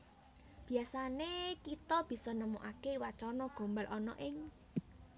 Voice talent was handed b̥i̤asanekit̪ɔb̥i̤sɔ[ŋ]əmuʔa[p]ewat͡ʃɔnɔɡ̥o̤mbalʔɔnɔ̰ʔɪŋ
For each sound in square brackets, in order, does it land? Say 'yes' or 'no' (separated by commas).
no, no